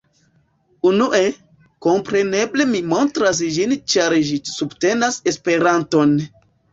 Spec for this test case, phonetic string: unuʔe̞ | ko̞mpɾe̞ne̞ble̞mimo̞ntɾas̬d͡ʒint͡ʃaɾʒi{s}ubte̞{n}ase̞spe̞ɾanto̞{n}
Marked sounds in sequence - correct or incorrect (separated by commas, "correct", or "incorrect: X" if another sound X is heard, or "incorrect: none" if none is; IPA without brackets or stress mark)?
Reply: correct, correct, correct